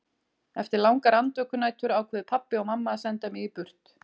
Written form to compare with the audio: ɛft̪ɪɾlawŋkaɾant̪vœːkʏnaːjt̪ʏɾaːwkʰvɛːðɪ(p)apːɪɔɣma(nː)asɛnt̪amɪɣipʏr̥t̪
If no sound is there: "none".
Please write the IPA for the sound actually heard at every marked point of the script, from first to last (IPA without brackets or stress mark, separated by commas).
pʰ, mː